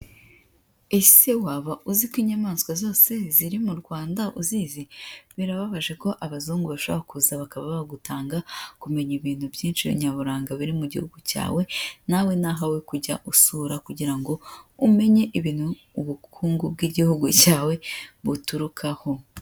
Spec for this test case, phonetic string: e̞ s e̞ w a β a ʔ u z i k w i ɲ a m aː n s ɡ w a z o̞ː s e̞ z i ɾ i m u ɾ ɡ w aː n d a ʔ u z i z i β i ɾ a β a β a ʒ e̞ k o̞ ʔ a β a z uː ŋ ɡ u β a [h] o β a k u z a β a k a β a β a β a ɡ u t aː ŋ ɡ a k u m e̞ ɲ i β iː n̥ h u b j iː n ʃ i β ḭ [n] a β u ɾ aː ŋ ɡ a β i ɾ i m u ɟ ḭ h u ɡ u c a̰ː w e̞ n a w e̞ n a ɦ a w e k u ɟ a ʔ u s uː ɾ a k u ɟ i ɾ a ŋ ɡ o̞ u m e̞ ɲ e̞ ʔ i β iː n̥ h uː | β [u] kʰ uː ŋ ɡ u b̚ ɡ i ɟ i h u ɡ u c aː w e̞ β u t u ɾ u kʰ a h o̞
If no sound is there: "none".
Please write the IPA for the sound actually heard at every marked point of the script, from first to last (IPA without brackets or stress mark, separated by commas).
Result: ʃ, ɲ, u